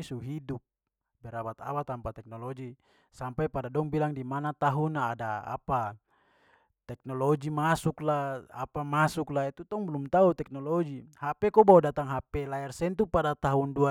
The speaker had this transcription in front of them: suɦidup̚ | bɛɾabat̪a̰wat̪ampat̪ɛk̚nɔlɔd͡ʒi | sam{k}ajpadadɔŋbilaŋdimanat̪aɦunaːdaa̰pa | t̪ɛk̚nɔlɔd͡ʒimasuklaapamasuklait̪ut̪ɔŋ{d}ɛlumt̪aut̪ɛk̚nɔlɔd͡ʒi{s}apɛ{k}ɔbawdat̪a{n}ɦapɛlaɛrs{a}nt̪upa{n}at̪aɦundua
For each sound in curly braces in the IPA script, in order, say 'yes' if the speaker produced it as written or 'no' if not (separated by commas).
no, no, no, yes, no, no, no